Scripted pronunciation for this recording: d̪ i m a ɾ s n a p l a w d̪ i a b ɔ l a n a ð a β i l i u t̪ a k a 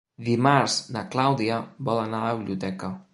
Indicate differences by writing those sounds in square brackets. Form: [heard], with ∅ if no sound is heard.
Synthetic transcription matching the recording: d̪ i m a ɾ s n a [k] l a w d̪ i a b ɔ l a n a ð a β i l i u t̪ [ɛ] k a